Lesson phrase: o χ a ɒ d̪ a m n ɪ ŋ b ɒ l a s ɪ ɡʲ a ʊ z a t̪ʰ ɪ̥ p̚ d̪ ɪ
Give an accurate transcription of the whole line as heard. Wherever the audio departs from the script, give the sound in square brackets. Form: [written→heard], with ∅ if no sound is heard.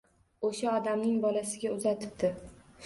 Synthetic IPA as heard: o [χ→ʃ] a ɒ d̪ a m n ɪ ŋ b ɒ l a s ɪ ɡʲ a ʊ z a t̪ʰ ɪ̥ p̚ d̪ ɪ